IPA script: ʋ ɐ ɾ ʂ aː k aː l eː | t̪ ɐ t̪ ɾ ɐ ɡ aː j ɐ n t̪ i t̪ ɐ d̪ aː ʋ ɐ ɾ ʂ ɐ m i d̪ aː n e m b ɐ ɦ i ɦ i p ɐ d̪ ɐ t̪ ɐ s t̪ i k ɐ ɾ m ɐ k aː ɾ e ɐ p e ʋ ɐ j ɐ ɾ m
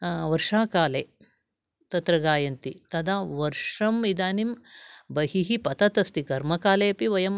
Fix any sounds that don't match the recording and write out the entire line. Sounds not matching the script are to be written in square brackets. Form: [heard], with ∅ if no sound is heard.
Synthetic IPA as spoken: ʋ ɐ ɾ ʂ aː k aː l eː | t̪ ɐ t̪ ɾ ɐ ɡ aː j ɐ n t̪ i t̪ ɐ d̪ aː ʋ ɐ ɾ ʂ ɐ m i d̪ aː n [i] m b ɐ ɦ i ɦ i p ɐ [t̪] ɐ t̪ ɐ s t̪ i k ɐ ɾ m ɐ k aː [l] e ɐ p [i] ʋ ɐ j ɐ [∅] m